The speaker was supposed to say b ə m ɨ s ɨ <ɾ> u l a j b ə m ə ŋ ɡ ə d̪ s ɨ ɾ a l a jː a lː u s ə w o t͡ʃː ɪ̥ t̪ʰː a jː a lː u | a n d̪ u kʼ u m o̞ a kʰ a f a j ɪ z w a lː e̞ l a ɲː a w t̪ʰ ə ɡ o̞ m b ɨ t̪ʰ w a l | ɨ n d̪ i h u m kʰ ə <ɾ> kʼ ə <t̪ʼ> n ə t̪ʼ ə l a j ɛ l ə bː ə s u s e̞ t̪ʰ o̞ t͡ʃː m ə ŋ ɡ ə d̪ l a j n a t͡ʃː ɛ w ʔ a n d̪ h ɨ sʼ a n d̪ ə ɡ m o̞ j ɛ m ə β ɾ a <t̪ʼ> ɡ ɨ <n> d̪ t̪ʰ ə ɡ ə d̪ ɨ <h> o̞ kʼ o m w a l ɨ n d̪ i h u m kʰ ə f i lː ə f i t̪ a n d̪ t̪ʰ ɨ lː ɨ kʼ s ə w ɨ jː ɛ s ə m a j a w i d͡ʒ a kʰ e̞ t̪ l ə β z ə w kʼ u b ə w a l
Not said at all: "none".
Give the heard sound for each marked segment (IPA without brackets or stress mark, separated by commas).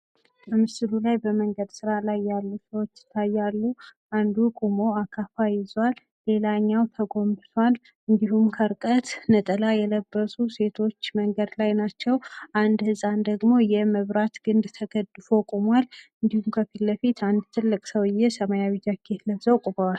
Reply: l, ɾ, t̪, t̪, n, f